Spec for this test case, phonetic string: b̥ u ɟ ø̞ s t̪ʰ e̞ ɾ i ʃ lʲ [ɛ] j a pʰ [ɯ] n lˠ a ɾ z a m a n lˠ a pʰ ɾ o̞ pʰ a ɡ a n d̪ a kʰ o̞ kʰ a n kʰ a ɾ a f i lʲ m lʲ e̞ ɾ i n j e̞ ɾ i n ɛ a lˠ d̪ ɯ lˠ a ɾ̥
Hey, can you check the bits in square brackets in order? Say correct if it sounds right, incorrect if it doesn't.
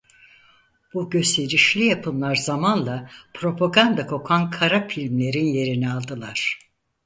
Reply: incorrect, correct

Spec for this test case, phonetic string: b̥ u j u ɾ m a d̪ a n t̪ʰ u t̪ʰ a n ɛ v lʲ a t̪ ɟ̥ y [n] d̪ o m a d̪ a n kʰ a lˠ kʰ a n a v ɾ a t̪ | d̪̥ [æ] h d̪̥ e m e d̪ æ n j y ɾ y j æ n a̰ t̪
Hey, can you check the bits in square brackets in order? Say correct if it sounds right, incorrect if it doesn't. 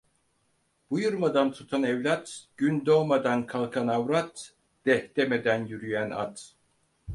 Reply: correct, incorrect

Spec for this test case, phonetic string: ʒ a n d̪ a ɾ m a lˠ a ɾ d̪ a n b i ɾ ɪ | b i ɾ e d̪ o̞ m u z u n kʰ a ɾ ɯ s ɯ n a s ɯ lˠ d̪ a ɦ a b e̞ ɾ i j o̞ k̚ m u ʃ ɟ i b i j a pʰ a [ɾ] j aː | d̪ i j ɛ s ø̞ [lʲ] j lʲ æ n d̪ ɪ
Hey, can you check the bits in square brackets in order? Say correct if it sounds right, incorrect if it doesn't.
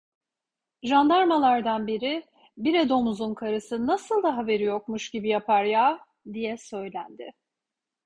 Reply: correct, incorrect

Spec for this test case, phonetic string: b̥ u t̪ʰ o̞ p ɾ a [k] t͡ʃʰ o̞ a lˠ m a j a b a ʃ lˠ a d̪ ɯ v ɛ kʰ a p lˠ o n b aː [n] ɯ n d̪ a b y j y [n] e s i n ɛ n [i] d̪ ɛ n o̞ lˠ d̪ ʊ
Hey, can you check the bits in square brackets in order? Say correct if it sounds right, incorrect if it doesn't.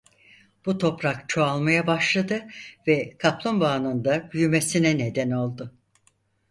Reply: correct, correct, incorrect, incorrect

